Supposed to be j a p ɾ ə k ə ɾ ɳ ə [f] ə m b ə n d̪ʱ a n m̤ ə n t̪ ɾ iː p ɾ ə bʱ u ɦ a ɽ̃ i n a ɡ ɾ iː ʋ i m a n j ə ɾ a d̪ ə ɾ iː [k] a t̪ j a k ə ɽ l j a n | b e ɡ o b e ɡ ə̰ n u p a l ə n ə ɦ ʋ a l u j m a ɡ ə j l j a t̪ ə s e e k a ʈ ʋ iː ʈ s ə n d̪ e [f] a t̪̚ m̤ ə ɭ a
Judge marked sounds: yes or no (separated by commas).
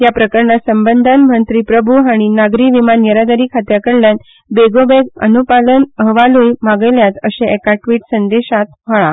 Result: no, no, no